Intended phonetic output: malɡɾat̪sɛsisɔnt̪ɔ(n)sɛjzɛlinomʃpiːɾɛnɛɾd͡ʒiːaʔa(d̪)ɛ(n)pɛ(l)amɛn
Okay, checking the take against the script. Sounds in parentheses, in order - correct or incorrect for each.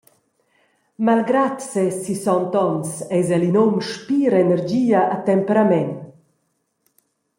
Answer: correct, incorrect, incorrect, incorrect

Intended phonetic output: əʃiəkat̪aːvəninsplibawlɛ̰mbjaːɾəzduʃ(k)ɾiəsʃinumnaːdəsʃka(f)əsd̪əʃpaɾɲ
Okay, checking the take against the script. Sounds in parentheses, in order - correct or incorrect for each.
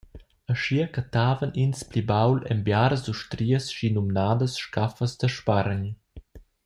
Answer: incorrect, correct

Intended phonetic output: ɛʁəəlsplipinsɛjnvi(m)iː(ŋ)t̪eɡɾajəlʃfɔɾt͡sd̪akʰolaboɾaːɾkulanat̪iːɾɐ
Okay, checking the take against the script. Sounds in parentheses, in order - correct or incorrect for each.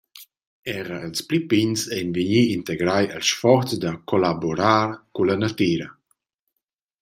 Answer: incorrect, incorrect

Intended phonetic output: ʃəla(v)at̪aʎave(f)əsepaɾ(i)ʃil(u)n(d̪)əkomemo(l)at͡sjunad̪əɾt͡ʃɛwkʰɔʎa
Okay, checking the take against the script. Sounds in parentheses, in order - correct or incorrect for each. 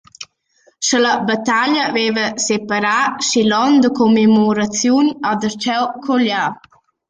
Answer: incorrect, incorrect, incorrect, incorrect, correct, incorrect

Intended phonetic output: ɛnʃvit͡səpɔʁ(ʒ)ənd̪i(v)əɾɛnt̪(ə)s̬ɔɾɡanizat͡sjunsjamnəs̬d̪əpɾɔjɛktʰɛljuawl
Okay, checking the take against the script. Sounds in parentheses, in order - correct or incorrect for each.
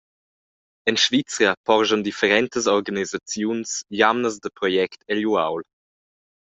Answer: correct, incorrect, correct

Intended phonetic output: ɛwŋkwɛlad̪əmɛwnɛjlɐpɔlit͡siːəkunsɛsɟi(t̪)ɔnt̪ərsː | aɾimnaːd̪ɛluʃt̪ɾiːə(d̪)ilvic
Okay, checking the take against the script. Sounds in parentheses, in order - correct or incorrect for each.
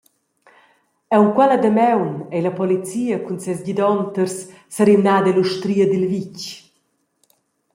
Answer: incorrect, correct

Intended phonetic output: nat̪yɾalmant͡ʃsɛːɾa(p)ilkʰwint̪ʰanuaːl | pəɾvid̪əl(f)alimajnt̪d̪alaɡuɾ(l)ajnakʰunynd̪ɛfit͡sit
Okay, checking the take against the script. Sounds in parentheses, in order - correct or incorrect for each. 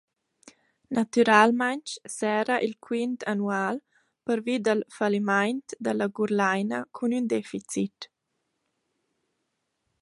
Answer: incorrect, correct, correct

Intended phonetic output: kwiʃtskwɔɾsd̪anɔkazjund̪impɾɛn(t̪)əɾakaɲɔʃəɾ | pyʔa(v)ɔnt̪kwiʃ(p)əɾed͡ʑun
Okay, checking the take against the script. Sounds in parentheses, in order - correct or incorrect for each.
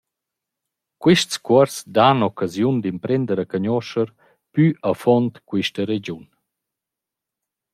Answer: incorrect, incorrect, incorrect

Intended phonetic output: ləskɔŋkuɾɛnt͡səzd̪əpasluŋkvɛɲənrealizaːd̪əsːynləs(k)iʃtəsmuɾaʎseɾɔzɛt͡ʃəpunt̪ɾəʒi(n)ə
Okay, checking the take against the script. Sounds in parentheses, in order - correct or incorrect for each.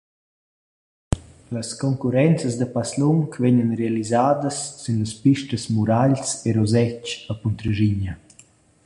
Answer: incorrect, incorrect

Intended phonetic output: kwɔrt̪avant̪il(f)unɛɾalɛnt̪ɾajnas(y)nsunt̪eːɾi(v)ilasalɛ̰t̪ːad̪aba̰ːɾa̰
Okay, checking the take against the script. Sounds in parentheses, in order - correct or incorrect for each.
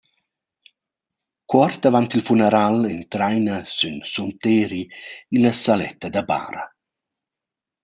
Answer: correct, correct, incorrect

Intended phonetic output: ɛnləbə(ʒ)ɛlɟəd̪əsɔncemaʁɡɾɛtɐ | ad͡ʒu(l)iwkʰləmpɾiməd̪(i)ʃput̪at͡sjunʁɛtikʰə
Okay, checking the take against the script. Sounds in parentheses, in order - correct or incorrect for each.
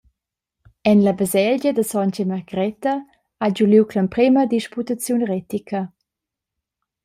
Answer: incorrect, correct, correct

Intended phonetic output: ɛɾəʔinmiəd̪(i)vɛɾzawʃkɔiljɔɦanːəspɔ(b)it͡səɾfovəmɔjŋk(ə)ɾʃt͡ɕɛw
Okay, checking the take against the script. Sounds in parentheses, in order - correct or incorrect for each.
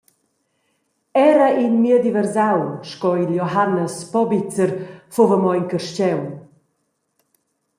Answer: correct, correct, correct

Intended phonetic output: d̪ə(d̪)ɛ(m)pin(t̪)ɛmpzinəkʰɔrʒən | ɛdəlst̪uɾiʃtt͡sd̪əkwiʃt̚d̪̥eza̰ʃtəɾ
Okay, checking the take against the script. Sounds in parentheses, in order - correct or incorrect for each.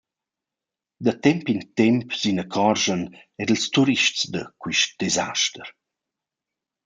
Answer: incorrect, correct, correct

